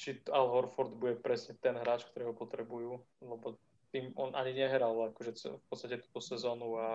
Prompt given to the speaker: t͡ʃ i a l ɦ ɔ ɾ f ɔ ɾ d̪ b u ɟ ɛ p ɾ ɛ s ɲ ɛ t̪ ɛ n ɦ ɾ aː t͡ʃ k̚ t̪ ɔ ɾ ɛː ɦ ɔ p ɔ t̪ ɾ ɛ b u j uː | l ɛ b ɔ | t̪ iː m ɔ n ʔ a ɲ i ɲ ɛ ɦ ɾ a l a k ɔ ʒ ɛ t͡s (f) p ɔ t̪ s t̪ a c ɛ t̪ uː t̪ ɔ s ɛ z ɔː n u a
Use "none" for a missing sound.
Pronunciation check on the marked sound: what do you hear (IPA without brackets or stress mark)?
f